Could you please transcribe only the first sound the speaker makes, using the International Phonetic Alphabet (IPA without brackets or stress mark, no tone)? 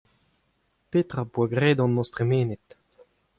p